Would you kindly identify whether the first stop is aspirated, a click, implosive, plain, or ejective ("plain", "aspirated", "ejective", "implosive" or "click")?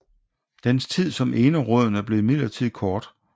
plain